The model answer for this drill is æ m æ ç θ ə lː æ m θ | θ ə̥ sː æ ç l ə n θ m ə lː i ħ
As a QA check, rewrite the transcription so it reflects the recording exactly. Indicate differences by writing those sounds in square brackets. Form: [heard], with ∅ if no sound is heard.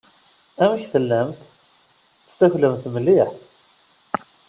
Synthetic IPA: æ m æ ç θ ə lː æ m θ | θ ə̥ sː æ ç l ə [m] θ m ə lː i ħ